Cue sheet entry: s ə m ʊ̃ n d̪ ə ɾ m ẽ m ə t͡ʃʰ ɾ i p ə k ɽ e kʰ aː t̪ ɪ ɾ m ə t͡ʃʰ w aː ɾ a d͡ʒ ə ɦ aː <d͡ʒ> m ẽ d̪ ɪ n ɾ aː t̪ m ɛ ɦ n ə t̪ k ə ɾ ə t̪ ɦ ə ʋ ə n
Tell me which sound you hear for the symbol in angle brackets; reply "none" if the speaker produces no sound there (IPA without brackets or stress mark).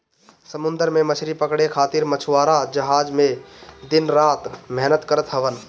d͡ʒ